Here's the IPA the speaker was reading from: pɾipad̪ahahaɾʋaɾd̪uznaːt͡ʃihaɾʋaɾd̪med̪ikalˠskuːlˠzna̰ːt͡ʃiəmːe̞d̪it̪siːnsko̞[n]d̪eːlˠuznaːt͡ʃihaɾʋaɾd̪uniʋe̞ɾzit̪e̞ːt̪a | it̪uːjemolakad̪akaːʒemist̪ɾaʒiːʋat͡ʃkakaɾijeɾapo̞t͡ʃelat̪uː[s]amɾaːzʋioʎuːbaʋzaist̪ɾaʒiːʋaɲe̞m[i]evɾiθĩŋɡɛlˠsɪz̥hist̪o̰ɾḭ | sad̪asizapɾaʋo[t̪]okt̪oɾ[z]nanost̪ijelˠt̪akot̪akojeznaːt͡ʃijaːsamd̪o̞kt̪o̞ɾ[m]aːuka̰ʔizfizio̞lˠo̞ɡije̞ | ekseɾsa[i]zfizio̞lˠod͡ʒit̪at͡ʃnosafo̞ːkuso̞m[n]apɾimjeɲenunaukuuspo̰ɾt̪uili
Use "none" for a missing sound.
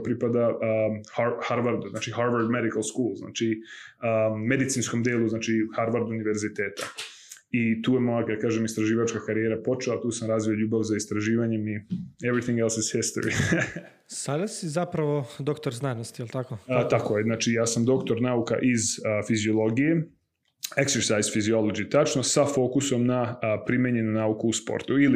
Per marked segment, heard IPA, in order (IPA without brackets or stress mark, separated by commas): m, s, i, d̪, z, n, j, n